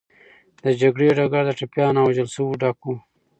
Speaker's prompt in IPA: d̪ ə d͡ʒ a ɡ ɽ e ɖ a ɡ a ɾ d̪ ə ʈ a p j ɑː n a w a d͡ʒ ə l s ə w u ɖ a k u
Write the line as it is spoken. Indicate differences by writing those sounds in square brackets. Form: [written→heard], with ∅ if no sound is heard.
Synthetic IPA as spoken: d̪ ə d͡ʒ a ɡ ɽ e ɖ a ɡ a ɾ d̪ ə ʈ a p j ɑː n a w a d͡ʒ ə l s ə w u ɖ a k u